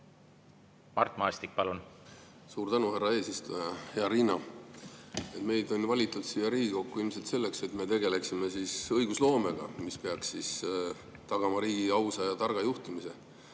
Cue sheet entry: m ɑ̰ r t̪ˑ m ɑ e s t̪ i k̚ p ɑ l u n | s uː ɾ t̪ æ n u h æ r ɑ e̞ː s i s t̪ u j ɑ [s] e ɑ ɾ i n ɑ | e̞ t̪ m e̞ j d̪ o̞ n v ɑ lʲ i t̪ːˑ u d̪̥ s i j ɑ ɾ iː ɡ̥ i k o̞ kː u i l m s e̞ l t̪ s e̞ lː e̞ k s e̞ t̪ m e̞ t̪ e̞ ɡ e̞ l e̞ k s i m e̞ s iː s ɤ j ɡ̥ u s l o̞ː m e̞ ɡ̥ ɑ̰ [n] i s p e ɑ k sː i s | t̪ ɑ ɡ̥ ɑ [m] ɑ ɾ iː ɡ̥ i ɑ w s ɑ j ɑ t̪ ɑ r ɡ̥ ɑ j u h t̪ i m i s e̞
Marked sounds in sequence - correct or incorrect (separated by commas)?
incorrect, incorrect, correct